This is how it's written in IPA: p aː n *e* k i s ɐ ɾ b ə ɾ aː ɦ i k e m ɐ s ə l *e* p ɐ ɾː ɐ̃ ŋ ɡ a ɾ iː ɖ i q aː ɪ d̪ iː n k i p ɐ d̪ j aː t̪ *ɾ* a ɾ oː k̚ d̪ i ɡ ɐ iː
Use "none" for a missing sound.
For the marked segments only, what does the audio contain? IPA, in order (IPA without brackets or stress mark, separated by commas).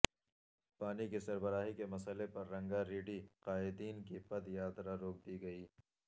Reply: i, e, ɾ